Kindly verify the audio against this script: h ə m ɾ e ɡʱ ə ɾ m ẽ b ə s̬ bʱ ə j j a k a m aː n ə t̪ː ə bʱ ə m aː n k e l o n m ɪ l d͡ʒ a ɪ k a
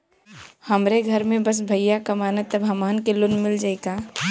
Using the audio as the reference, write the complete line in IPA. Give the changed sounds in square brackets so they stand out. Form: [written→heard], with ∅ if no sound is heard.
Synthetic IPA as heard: h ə m ɾ e ɡʱ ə ɾ m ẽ b ə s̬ bʱ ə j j a k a m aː n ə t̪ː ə bʱ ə m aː n k e l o n m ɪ l d͡ʒ a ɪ k a